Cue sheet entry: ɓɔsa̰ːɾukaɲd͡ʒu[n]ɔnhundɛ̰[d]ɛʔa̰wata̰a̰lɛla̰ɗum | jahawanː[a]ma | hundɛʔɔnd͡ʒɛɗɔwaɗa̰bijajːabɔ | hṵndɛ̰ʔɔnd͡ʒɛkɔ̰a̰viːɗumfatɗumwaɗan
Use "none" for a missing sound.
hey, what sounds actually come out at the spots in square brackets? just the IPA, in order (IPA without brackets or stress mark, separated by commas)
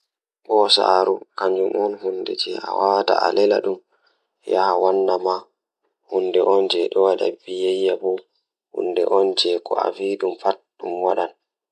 m, d͡ʒ, a